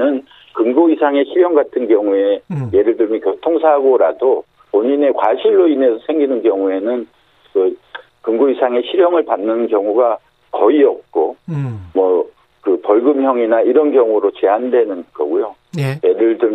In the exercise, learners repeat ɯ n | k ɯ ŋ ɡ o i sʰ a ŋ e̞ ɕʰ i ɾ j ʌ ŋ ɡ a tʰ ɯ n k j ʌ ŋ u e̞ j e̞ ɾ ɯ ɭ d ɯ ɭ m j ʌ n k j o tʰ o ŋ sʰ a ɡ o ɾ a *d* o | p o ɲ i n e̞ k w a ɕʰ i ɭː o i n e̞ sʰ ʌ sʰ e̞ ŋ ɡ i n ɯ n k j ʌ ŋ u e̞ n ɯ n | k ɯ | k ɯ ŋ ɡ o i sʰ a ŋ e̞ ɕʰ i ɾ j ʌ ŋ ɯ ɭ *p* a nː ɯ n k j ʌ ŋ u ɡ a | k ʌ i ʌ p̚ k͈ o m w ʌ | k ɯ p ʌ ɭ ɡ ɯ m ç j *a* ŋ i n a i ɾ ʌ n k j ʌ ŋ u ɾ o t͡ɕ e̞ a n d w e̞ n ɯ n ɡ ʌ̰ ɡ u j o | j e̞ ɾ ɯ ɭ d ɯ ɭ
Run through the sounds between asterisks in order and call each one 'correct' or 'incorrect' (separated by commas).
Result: correct, correct, incorrect